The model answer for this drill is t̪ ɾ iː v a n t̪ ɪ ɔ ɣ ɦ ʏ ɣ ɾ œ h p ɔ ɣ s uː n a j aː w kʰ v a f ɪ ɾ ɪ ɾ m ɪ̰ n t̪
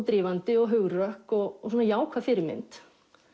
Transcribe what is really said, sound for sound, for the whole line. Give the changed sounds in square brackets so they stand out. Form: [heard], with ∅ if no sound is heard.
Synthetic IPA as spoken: t̪ ɾ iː v a n t̪ ɪ ɔ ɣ ɦ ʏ ɣ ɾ œ h [k] ɔ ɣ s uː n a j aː w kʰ v a f ɪ ɾ ɪ ɾ m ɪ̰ n t̪